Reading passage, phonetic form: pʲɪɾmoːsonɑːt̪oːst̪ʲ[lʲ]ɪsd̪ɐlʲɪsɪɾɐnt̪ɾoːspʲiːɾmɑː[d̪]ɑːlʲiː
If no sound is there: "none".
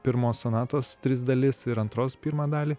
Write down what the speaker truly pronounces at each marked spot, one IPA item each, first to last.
ɾʲ, d̪

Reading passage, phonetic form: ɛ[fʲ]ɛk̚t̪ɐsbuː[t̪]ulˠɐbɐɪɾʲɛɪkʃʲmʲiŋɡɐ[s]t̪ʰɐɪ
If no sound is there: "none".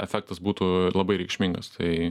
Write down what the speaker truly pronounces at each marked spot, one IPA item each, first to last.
fʲ, t̪, s

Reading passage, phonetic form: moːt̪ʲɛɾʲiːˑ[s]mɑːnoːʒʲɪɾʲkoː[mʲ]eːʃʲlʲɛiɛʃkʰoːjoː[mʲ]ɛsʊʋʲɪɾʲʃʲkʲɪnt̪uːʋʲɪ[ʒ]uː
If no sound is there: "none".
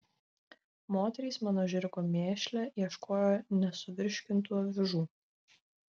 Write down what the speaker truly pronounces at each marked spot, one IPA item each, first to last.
s, mʲ, nʲ, ʒ

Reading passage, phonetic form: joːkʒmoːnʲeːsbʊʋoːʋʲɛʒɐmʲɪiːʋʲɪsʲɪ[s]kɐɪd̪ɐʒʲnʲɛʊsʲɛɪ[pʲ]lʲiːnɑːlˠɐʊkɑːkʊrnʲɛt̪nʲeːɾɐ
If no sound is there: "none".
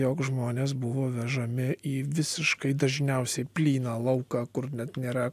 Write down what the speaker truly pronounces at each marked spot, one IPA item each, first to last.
ʃ, pʲ

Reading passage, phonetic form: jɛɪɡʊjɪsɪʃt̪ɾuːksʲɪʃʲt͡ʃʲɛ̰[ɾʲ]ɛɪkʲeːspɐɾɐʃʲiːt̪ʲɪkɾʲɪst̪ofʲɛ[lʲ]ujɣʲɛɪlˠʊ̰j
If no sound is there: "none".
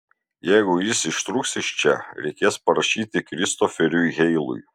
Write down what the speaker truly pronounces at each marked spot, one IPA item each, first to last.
ɾʲ, ɾʲ

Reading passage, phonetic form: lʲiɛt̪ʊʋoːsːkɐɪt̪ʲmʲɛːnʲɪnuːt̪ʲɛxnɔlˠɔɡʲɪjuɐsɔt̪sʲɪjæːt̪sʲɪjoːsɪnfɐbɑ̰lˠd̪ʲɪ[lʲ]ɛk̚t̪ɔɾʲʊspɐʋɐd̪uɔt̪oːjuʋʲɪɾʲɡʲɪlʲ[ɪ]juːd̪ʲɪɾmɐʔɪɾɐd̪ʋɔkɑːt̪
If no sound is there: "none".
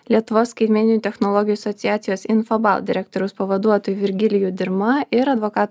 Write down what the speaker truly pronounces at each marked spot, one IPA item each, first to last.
ɾʲ, ɪ

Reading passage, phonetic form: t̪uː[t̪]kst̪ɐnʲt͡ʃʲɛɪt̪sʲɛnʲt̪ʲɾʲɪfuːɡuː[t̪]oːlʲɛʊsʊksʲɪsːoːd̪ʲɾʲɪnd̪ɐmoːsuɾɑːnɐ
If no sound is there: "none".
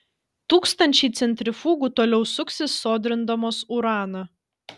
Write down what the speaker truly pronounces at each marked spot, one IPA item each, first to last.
none, t̪

